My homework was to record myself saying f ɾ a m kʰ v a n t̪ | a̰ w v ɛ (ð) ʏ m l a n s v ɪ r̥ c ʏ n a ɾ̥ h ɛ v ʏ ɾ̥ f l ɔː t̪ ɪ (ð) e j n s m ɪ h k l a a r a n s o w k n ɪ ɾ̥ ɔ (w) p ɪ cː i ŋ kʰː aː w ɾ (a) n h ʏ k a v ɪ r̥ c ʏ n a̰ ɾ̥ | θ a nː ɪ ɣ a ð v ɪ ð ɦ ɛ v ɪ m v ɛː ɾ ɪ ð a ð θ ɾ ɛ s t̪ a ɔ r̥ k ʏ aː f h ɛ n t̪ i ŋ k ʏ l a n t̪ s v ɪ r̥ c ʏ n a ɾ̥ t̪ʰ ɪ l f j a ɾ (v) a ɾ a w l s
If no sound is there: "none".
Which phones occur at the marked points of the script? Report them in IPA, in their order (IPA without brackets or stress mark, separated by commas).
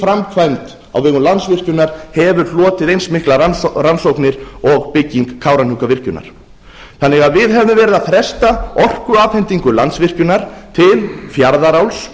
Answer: ɣ, ð, ɣ, a, ð